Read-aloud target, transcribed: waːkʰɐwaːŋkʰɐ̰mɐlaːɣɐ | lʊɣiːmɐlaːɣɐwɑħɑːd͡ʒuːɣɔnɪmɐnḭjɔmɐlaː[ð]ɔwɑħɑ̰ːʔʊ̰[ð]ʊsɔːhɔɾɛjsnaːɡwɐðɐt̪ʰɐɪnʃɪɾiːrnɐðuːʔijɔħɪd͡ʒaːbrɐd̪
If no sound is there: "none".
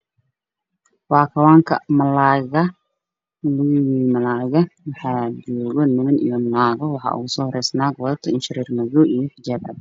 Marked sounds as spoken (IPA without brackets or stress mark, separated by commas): ɣ, ɣ